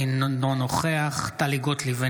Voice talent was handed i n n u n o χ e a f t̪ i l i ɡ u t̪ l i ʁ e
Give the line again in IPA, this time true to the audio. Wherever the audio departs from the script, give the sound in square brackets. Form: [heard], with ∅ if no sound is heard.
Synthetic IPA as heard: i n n [o] n o χ e a [χ] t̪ [a] l i ɡ [o] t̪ l i [v] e